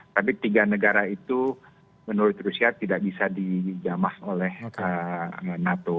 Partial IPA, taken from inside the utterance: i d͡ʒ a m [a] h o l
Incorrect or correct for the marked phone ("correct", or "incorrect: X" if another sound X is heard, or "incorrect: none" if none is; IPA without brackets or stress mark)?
correct